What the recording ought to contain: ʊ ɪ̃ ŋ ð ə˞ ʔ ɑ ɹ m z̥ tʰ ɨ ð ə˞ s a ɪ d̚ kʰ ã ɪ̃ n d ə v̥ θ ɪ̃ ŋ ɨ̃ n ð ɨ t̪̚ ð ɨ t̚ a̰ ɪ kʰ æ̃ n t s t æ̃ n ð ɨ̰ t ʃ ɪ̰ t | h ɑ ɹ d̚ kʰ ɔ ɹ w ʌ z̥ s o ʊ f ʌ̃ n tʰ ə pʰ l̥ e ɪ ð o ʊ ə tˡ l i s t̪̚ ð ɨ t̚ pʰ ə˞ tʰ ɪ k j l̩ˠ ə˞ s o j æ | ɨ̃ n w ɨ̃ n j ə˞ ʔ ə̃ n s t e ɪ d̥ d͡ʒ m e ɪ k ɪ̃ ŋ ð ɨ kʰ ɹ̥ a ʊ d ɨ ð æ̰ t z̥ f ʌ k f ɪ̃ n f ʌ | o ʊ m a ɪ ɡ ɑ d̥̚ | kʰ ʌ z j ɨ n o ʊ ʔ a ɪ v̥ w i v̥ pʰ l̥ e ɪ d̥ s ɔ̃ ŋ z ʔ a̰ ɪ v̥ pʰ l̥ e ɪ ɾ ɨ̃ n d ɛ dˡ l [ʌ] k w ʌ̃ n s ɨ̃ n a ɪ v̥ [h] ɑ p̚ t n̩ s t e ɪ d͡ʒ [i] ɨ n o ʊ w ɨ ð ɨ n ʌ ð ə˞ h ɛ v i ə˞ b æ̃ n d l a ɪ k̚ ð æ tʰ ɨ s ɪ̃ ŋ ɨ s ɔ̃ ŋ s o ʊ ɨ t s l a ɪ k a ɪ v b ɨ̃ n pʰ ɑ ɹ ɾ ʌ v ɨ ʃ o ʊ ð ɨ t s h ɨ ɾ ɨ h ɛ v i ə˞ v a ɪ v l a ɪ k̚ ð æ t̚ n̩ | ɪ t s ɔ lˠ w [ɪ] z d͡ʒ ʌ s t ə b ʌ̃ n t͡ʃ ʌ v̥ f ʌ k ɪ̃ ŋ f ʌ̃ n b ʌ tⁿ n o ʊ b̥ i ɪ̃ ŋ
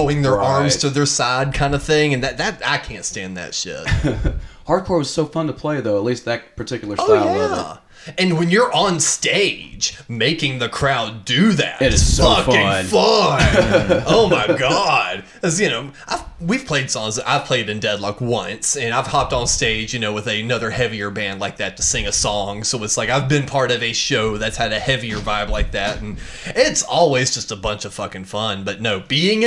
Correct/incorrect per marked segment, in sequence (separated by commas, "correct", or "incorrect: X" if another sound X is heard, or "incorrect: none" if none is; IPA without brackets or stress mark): correct, correct, incorrect: j, incorrect: i